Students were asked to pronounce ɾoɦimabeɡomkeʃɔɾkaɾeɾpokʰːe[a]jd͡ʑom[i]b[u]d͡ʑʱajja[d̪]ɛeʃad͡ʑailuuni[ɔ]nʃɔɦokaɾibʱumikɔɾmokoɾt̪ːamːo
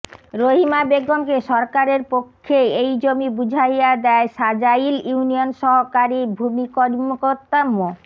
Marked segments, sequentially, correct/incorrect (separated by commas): incorrect, correct, correct, correct, incorrect